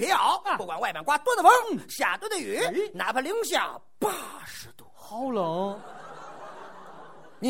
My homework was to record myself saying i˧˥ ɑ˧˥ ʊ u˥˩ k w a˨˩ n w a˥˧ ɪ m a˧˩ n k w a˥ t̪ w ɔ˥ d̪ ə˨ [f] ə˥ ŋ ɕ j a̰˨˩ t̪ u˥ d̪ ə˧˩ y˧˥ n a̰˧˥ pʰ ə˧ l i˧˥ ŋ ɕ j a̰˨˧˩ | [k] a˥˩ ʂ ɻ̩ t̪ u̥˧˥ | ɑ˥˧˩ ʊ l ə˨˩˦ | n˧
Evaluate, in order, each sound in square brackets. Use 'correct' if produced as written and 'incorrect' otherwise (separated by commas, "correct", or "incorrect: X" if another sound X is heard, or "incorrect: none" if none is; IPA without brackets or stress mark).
correct, incorrect: p